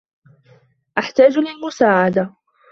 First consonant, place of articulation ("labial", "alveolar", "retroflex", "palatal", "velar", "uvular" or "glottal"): glottal